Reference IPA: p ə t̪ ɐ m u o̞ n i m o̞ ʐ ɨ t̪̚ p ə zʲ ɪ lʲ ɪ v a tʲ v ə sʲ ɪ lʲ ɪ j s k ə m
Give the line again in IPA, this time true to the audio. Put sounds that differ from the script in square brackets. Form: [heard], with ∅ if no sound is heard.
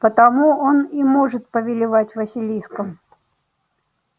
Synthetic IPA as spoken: p ə t̪ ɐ m u o̞ n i m o̞ ʐ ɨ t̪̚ p ə [vʲ] ɪ lʲ ɪ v a tʲ v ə sʲ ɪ lʲ [i] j s k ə m